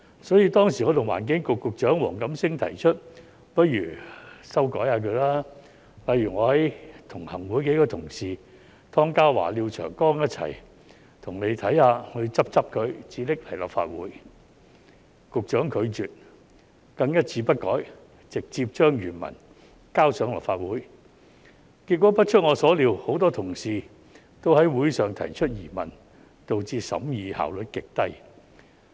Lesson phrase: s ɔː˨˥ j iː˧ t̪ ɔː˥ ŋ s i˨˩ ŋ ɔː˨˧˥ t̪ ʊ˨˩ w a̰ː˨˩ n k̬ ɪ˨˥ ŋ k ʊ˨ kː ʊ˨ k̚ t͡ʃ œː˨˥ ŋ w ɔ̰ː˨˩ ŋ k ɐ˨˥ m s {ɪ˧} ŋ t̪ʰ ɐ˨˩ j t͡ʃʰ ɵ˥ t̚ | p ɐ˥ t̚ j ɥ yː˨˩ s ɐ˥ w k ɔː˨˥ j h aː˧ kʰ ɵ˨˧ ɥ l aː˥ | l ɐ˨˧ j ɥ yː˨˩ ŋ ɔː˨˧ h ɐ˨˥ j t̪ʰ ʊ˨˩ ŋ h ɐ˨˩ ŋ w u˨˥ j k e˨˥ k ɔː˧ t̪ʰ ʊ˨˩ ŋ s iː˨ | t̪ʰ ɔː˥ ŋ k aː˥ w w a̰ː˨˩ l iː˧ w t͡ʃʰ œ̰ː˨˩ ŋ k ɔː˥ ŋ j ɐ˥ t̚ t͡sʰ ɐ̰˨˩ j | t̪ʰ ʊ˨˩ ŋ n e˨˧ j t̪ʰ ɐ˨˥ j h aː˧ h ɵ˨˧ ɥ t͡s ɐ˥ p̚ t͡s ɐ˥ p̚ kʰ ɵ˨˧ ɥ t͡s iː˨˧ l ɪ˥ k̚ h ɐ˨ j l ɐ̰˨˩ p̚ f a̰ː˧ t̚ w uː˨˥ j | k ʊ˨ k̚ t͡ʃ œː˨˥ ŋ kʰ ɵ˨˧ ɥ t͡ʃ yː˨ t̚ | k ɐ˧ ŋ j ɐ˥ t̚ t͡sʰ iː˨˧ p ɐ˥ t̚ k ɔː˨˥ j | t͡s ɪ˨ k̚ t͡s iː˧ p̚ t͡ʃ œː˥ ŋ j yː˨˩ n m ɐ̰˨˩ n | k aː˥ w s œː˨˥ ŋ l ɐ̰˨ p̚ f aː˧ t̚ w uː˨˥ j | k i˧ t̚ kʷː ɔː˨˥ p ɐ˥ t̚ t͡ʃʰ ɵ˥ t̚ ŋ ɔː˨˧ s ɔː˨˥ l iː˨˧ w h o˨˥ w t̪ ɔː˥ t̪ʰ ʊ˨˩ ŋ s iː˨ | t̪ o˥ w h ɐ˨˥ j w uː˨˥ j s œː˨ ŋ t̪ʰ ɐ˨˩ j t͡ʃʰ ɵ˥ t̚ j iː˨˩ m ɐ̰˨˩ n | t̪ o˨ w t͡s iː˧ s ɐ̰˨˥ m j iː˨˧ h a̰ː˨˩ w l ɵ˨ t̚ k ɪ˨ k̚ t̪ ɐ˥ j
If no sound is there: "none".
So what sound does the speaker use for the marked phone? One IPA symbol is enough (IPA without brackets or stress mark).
ɪ˥